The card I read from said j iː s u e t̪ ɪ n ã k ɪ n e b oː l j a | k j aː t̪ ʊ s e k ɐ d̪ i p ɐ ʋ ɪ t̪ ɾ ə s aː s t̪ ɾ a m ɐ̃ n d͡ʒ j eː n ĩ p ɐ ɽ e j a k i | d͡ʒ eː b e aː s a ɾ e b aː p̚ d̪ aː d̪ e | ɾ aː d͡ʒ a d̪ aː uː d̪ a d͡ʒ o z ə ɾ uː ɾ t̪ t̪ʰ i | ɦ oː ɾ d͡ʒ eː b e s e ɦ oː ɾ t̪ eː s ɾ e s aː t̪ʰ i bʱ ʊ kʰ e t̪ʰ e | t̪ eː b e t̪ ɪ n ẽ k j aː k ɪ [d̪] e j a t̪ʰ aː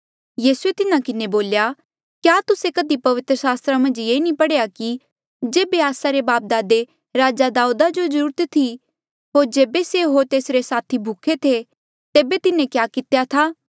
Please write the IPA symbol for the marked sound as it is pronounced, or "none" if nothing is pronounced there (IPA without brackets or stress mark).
t̪